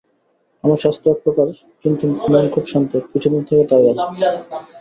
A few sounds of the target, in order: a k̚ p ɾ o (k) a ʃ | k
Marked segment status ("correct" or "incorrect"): correct